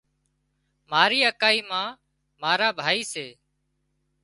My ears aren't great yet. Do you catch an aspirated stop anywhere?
no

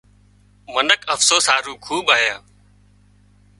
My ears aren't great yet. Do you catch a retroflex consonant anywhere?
no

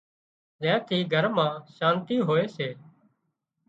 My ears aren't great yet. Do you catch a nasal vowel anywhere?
yes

